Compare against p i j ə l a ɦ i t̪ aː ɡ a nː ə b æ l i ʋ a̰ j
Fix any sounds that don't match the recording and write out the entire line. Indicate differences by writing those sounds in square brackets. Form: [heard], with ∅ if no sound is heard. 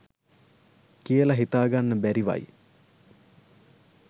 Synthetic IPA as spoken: [k] i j ə l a ɦ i t̪ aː ɡ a nː ə b æ [ɾ] i ʋ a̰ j